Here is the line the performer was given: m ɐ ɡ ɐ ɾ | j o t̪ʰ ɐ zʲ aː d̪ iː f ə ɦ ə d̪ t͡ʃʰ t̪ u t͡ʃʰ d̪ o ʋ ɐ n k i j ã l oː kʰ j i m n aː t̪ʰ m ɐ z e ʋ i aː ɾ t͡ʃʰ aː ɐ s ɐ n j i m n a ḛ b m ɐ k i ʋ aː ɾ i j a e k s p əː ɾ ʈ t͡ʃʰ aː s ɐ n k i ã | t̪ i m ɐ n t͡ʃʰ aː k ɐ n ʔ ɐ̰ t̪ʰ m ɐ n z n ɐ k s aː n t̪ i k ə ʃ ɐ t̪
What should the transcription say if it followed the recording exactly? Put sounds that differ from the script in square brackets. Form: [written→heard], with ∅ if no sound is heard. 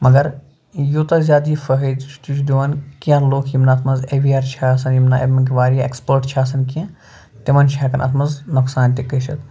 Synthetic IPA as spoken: m ɐ ɡ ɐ ɾ | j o [t̪ʰ→t̪] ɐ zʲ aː d̪ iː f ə ɦ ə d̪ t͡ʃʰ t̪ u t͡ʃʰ d̪ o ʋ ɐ n k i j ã l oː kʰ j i m n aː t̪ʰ m ɐ z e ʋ i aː ɾ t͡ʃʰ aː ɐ s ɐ n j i m n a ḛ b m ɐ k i ʋ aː ɾ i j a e k s p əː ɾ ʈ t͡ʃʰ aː s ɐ n k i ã | t̪ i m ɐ n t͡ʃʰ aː k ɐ n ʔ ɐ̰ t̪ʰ m ɐ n z n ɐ k s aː n t̪ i k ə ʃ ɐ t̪

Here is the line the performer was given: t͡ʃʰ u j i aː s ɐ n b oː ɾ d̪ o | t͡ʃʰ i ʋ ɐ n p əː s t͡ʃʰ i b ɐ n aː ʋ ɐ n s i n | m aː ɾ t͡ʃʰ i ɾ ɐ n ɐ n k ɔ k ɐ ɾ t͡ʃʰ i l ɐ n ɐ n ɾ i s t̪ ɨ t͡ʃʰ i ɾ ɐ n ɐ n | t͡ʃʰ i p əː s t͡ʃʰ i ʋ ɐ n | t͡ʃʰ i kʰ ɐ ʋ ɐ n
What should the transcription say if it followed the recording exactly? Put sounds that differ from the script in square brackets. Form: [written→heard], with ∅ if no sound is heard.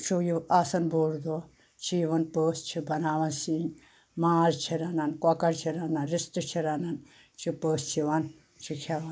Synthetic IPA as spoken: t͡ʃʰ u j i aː s ɐ n b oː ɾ d̪ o | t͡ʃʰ i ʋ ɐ n p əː s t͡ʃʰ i b ɐ n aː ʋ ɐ n s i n | m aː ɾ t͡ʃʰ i ɾ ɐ n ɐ n k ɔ k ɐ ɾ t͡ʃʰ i [l→ɾ] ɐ n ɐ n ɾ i s t̪ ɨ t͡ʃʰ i ɾ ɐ n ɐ n | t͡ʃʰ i p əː s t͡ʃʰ i ʋ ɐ n | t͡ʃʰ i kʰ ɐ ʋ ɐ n

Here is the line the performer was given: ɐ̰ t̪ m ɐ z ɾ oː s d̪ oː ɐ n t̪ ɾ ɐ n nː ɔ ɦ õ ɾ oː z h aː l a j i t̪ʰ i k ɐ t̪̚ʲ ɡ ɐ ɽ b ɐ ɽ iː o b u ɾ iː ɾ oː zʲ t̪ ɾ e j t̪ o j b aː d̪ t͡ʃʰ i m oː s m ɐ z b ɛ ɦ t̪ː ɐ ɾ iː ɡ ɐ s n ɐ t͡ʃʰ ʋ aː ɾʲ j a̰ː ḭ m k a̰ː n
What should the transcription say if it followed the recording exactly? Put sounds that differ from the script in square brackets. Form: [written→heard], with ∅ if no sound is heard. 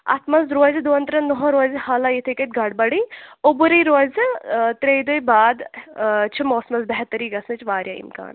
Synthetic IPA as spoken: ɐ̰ t̪ m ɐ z ɾ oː [s→z] d̪ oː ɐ n t̪ ɾ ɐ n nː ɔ ɦ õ ɾ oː z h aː l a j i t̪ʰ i k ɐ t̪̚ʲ ɡ ɐ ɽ b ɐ ɽ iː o b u ɾ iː ɾ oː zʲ t̪ ɾ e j [t̪→d̪] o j b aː d̪ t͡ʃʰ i m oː s m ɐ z b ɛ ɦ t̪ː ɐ ɾ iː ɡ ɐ s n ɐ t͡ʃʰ ʋ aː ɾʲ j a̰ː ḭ m k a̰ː n

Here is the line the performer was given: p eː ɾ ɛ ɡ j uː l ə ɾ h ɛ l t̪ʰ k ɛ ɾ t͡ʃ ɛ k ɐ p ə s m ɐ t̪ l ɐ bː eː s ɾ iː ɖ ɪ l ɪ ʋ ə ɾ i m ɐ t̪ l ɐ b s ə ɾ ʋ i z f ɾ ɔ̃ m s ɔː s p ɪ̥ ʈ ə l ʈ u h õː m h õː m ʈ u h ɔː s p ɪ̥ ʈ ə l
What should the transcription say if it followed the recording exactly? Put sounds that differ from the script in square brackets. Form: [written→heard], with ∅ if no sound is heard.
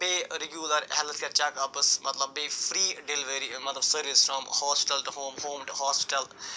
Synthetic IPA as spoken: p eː ɾ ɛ ɡ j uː l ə ɾ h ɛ l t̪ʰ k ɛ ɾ t͡ʃ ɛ k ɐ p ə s m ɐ t̪ l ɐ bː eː [s→f] ɾ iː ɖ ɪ l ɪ ʋ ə ɾ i m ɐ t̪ l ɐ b s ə ɾ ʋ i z f ɾ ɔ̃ m [s→h] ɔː s p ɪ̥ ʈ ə l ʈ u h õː m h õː m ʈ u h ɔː s p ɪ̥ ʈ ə l

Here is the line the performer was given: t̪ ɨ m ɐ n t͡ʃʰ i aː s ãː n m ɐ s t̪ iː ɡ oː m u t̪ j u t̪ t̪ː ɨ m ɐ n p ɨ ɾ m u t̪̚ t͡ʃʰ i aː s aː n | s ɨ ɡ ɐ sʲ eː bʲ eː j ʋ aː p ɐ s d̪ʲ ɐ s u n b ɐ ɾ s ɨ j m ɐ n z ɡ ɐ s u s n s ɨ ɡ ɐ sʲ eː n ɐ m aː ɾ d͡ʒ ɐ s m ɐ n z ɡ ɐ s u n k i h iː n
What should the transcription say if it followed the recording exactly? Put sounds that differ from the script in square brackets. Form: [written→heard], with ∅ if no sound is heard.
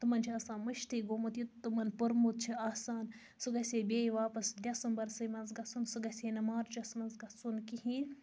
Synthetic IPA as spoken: t̪ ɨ m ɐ n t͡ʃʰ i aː s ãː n m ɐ [s→ʃ] t̪ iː ɡ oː m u t̪ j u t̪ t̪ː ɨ m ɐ n p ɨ ɾ m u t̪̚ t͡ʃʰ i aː s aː n | s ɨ ɡ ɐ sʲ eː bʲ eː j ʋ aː p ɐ s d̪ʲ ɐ s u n b ɐ ɾ s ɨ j m ɐ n z ɡ ɐ s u [s→∅] n s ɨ ɡ ɐ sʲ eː n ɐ m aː ɾ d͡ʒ ɐ s m ɐ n z ɡ ɐ s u n k i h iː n

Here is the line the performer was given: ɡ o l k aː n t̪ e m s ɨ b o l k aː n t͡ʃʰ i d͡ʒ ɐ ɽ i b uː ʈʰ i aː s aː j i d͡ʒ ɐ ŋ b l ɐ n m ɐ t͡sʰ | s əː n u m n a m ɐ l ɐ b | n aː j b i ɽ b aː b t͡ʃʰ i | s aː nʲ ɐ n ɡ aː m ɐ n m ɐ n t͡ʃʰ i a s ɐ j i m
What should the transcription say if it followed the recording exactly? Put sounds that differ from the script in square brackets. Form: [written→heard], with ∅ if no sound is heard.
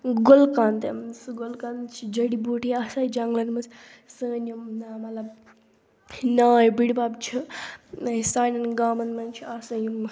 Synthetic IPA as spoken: ɡ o l k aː n t̪ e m s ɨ [b→ɡ] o l k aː n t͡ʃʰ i d͡ʒ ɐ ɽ i b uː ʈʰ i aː s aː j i d͡ʒ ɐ ŋ [b→ɡ] l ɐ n m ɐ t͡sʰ | s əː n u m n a m ɐ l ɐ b | n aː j b i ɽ b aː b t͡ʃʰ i | s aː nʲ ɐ n ɡ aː m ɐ n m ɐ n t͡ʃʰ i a s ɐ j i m

